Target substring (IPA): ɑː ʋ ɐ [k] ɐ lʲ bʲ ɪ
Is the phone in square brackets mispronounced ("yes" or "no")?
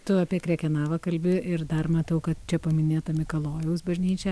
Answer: no